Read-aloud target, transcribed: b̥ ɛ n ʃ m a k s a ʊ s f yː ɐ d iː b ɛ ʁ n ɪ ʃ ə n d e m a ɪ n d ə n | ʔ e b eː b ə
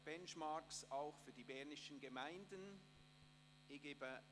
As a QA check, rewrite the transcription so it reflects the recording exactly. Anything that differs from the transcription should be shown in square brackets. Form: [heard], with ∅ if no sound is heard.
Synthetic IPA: b̥ ɛ n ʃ m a k s a ʊ [x] f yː ɐ d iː b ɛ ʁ n ɪ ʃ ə n [ɡ] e m a ɪ n d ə n | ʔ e [ɡ] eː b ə